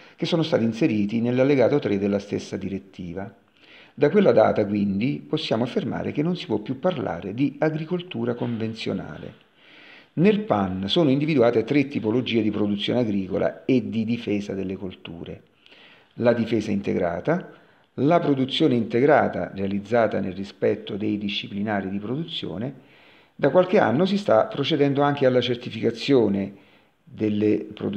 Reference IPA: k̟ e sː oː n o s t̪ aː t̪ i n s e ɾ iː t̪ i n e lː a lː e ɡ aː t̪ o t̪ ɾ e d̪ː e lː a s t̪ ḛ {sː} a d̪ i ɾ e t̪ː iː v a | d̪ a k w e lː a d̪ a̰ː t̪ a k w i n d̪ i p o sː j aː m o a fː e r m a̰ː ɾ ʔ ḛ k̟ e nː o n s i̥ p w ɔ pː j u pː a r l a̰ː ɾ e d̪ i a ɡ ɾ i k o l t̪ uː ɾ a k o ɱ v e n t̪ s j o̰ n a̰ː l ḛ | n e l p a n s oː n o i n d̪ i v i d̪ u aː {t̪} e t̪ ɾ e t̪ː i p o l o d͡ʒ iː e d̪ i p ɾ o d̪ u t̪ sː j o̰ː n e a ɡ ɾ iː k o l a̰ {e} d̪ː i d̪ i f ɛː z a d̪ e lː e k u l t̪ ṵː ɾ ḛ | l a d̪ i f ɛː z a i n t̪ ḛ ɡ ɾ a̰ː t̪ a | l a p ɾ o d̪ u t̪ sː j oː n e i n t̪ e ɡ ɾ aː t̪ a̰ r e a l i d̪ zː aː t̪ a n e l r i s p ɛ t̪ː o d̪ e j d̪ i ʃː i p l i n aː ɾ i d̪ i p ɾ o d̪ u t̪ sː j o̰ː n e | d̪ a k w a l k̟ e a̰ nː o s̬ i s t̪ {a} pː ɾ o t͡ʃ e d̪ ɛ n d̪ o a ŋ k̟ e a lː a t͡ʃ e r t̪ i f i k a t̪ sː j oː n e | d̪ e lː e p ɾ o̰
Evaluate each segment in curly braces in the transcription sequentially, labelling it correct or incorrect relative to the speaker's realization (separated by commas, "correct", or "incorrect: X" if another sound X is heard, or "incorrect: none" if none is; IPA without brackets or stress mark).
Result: correct, correct, correct, correct